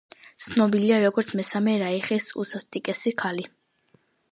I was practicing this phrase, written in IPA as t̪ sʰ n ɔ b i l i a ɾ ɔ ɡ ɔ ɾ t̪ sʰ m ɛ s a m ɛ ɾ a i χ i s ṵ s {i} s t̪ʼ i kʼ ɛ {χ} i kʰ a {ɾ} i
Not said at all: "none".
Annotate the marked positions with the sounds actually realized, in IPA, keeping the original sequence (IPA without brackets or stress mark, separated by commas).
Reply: a, s, l